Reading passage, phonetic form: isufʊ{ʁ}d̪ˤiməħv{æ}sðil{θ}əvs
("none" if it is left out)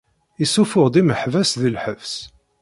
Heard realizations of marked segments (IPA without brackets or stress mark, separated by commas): ʁ, æ, ħ